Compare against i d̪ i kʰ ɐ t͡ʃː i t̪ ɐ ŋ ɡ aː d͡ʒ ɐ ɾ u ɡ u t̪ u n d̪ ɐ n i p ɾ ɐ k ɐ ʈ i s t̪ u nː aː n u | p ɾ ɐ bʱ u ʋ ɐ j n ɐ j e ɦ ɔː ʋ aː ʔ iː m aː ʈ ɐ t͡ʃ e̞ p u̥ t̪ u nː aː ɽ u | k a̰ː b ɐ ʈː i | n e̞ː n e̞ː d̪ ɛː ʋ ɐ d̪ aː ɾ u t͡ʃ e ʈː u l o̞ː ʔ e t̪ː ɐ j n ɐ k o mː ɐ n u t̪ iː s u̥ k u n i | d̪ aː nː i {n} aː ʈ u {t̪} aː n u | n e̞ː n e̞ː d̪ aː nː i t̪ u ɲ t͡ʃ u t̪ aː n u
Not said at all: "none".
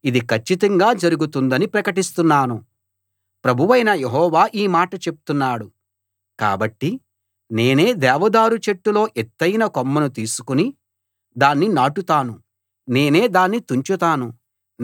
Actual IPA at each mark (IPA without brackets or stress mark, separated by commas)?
n, t̪